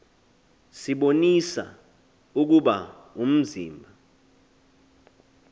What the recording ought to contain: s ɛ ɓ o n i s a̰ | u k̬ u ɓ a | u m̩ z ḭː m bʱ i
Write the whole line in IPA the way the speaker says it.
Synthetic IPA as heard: s i ɓ o n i s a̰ | u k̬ u ɓ a | u m̩ z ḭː m bʱ a